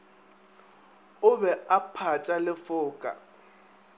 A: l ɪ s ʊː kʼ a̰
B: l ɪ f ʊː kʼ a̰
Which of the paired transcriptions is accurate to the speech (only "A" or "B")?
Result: B